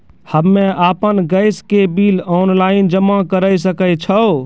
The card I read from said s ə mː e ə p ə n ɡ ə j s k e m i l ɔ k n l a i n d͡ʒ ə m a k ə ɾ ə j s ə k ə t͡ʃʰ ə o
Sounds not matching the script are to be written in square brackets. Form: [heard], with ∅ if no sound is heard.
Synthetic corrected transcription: [h] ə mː e [a] p ə n ɡ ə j s k e [b] i l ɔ [∅] n l a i n d͡ʒ ə m a k ə ɾ ə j s ə k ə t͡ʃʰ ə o